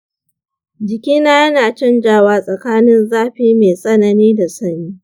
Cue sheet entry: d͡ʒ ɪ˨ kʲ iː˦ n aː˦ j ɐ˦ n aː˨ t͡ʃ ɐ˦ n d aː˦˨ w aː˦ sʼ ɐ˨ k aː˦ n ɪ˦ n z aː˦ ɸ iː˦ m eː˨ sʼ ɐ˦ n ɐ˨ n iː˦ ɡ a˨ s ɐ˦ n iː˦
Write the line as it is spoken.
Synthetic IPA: d͡ʒ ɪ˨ kʲ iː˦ n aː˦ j ɐ˦ n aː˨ t͡ʃ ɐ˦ n d͡ʒ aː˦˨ w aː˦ sʼ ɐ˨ k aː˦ n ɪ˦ n z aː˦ ɸ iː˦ m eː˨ sʼ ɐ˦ n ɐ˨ n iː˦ d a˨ s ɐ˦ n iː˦

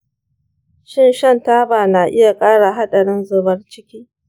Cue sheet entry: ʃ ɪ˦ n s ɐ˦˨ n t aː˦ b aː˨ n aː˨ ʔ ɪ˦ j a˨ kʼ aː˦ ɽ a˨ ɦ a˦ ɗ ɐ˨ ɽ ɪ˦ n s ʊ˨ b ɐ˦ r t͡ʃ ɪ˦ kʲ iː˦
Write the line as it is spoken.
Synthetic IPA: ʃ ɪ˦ n ʃ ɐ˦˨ n t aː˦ b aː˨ n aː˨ ʔ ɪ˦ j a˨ kʼ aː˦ ɽ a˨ ɦ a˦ ɗ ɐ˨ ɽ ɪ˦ n z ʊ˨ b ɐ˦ r t͡ʃ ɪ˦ kʲ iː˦

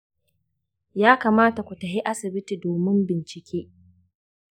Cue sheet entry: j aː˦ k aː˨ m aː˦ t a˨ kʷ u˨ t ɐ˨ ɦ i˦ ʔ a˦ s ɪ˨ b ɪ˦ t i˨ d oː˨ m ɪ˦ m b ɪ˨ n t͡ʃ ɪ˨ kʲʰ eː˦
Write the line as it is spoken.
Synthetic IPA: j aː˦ k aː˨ m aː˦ t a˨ kʷ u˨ t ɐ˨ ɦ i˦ ʔ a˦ s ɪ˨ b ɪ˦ t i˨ d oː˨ m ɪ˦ m b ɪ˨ n t͡ʃ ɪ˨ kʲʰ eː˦

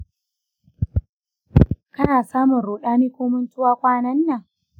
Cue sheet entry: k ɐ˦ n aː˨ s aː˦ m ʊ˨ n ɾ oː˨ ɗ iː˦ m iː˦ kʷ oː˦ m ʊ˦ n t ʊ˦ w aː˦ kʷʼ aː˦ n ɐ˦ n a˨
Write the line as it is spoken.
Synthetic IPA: k ɐ˦ n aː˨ s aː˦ m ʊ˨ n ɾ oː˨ ɗ aː˦ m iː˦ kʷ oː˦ m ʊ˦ n t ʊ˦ w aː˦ kʷʼ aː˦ n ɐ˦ nː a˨

